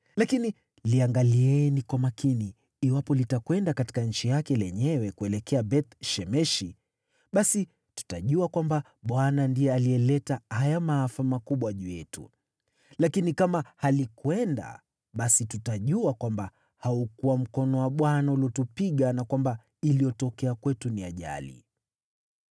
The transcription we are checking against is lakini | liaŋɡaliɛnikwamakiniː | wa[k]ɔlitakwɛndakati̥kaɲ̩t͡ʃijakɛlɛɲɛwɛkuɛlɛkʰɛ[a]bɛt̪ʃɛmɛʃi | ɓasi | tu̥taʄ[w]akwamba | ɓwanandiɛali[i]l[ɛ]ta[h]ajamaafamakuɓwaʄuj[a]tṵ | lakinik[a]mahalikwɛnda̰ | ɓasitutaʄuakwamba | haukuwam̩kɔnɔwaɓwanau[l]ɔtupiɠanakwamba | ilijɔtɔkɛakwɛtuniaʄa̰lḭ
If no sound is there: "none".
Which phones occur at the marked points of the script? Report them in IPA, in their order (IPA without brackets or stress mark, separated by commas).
p, a, u, ɛ, ɛ, h, ɛ, a, l